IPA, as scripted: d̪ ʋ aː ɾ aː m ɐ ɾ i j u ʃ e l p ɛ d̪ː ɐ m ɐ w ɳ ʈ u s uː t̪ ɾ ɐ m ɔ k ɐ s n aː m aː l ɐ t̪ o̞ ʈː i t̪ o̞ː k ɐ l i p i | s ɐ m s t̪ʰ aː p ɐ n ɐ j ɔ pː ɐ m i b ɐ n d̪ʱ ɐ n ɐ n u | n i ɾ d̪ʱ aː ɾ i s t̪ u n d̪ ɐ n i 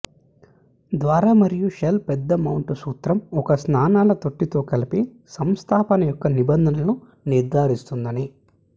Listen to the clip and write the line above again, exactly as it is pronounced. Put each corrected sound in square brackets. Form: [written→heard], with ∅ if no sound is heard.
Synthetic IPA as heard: d̪ ʋ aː ɾ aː m ɐ ɾ i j u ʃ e l p ɛ d̪ː ɐ m ɐ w ɳ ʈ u s uː t̪ ɾ ɐ m ɔ k ɐ s n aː [m→n] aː l ɐ t̪ o̞ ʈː i t̪ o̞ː k ɐ l i p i | s ɐ m s t̪ʰ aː p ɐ n ɐ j ɔ [pː→kː] ɐ [m→n] i b ɐ n d̪ʱ ɐ n ɐ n u | n i ɾ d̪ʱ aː ɾ i s t̪ u n d̪ ɐ n i

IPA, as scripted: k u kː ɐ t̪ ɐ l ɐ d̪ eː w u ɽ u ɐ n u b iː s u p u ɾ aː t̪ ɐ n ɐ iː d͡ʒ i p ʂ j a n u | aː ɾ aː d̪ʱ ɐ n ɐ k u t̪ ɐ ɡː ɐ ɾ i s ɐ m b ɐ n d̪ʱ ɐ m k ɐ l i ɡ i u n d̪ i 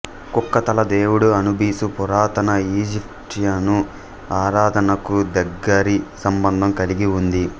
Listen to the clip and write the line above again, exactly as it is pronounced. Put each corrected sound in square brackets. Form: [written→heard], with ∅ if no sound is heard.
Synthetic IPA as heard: k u kː ɐ t̪ ɐ l ɐ d̪ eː w u ɽ u ɐ n u b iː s u p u ɾ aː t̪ ɐ n ɐ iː d͡ʒ i p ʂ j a n u | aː ɾ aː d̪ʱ ɐ n ɐ k u [t̪→d̪] ɐ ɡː ɐ ɾ i s ɐ m b ɐ n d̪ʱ ɐ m k ɐ l i ɡ i u n d̪ i

